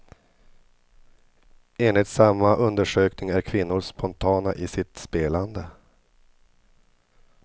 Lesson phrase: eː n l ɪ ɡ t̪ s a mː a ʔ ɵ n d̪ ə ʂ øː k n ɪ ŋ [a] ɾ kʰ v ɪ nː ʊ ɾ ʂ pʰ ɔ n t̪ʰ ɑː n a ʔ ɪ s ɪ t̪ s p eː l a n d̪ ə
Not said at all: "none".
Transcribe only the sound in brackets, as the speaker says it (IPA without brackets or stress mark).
æ